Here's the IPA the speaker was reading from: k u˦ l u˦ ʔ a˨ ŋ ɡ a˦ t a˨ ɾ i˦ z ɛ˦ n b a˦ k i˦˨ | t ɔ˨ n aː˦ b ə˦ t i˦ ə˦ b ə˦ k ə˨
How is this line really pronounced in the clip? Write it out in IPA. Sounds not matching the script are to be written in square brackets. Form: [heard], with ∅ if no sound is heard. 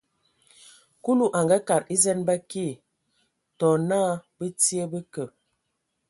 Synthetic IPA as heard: k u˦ l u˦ ʔ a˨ ŋ ɡ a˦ [k] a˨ ɾ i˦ z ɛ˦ n b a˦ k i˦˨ | t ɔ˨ n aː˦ b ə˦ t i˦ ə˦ b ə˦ k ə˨